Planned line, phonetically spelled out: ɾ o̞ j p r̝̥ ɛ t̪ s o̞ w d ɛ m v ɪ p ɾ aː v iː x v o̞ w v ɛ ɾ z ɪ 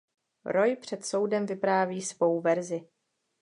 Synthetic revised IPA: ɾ o̞ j p r̝̥ ɛ t̪ s o̞ w d ɛ m v ɪ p ɾ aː v iː s v o̞ w v ɛ ɾ z ɪ